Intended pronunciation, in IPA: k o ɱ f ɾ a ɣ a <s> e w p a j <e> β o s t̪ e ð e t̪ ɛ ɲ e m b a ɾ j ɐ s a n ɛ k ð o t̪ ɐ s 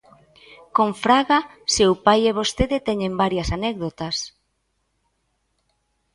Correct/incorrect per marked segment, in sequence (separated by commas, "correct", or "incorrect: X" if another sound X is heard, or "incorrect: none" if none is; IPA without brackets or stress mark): correct, correct